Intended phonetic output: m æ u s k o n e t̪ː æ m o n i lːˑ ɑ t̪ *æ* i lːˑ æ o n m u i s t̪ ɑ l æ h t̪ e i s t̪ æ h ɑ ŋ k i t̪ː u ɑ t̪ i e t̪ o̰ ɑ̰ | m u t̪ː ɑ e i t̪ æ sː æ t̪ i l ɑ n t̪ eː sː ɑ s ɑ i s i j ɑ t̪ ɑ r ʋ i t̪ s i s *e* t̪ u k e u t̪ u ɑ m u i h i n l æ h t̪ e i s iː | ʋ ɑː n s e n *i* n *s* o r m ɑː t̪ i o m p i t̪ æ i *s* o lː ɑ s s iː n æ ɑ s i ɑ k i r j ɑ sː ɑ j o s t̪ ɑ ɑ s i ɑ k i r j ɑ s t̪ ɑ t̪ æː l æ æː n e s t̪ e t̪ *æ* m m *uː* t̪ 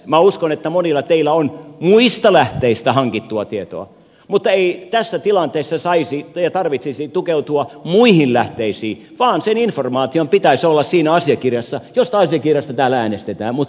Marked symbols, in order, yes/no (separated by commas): no, no, yes, no, yes, no, no